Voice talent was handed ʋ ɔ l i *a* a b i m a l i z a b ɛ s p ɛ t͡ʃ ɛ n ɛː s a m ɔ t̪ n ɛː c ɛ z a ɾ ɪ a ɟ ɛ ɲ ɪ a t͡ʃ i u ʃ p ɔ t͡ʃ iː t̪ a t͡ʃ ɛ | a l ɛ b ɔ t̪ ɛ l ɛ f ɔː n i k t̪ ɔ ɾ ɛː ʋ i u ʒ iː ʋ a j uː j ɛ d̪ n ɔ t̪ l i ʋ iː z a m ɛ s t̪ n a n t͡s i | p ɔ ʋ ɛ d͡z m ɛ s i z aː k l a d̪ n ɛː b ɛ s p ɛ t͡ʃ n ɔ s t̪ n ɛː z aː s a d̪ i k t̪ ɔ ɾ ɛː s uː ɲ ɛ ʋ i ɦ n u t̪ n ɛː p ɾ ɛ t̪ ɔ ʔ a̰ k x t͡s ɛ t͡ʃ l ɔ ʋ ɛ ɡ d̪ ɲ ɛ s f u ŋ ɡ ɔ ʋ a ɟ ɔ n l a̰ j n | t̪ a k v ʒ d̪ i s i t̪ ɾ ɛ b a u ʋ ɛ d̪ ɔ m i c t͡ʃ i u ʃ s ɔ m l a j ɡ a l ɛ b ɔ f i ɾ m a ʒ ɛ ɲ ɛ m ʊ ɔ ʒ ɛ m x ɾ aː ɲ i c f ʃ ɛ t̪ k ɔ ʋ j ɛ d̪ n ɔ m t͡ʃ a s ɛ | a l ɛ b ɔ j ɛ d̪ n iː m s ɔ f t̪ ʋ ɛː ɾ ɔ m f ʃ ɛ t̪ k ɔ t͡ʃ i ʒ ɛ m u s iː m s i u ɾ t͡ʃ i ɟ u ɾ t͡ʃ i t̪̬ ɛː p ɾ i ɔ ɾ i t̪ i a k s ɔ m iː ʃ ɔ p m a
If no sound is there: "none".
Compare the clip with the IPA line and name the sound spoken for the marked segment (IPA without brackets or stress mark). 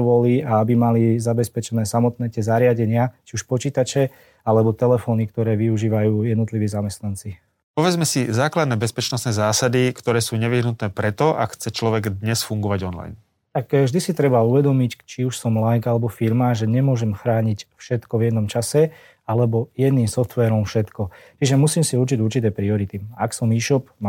a